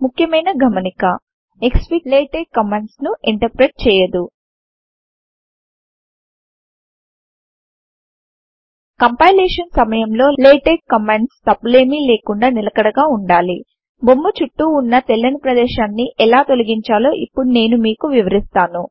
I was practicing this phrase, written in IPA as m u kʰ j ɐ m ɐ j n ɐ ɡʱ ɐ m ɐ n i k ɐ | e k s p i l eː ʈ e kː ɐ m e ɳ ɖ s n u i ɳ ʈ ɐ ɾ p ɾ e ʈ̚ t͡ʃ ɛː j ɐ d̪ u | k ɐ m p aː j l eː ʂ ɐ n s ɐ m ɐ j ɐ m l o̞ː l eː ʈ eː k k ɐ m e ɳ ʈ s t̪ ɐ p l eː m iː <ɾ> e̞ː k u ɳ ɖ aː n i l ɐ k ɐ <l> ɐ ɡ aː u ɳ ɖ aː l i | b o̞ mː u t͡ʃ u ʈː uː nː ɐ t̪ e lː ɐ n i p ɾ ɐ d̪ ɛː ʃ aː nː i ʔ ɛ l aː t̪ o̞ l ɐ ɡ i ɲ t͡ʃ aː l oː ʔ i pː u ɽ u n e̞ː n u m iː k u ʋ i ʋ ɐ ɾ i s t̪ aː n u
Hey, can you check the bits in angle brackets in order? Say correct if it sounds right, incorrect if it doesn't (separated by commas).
incorrect, incorrect